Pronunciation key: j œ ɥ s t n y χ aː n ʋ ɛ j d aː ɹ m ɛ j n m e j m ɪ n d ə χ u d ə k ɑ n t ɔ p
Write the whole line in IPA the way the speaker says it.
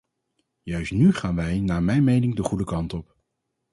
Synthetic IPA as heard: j œ ɥ s t n y χ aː n ʋ ɛ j n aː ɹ m ɛ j n m e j n ɪ ŋ d ə χ u d ə k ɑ n t ɔ p